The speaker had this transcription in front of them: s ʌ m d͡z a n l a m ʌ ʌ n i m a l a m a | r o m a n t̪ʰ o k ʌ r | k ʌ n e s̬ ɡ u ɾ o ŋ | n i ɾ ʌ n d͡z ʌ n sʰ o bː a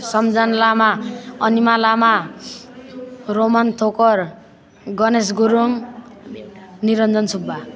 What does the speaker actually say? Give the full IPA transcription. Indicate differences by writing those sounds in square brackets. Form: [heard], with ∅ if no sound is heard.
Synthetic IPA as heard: s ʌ m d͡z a n l a m [a] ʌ n i m a l a m a | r o m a n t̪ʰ o k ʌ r | [ɡ] ʌ n e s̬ ɡ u ɾ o ŋ | n i ɾ ʌ n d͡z ʌ n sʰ [u] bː a